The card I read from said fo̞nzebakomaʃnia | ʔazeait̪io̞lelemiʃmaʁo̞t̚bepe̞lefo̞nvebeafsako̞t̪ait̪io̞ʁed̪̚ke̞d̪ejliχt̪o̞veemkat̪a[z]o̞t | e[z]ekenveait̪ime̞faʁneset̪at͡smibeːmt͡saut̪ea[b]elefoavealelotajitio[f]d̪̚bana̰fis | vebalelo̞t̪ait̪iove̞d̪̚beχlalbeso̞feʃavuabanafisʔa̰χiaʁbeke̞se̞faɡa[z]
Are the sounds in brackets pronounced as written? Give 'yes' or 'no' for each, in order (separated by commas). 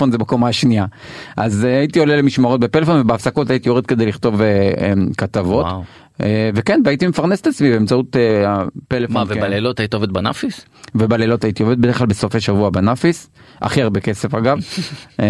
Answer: no, no, no, no, no